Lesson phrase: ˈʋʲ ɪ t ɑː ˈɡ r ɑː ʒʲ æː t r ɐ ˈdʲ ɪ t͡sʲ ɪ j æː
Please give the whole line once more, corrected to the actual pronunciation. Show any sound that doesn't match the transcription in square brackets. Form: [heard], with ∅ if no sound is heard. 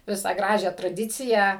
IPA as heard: ˈʋʲ ɪ [s] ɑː ˈɡ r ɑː ʒʲ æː t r ɐ ˈdʲ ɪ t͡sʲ ɪ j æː